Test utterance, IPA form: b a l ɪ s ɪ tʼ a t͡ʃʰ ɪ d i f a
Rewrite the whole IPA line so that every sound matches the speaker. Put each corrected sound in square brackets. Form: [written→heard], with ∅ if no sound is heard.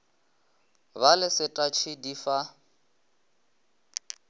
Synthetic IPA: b a l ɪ s ɪ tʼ a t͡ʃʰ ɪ d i f a